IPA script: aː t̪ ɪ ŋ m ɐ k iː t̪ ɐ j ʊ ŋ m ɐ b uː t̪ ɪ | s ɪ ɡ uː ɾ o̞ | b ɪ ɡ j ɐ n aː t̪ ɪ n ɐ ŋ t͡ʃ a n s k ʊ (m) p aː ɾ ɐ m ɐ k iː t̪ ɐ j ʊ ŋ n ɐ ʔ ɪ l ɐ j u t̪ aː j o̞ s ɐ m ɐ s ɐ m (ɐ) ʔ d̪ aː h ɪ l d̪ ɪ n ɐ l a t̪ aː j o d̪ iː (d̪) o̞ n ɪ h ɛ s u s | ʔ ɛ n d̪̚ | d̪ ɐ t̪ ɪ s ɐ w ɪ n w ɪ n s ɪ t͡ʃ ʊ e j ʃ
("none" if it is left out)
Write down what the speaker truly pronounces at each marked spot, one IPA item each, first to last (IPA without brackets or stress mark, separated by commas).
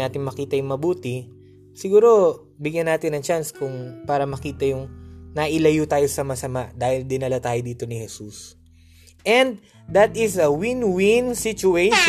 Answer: ŋ, a, t̪